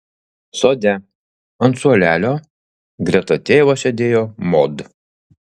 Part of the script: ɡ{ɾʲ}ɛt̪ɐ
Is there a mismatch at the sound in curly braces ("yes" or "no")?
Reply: no